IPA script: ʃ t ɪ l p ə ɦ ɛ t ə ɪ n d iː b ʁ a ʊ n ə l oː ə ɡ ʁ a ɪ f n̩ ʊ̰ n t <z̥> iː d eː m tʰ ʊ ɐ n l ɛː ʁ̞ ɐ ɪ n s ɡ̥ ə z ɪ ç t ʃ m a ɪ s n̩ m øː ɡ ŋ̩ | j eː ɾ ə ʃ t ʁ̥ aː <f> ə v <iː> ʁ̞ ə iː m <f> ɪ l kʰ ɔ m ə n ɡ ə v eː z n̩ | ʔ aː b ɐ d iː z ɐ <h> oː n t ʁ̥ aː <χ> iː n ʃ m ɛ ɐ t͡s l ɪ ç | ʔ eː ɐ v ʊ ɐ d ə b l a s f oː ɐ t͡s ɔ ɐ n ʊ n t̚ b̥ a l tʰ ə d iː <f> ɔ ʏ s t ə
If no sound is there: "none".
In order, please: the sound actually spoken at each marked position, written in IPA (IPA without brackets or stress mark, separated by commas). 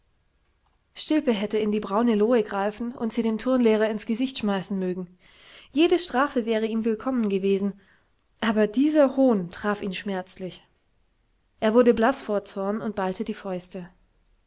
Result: z̥, f, ɛː, v, h, f, f